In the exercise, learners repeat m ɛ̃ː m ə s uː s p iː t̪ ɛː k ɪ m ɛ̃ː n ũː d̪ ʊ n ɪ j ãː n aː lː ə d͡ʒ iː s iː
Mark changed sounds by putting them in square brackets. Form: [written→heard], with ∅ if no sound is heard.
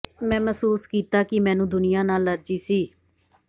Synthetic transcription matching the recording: m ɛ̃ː m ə s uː s [p→k] iː t̪ [ɛː→aː] k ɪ m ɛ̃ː n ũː d̪ ʊ n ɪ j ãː n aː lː ə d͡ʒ iː s iː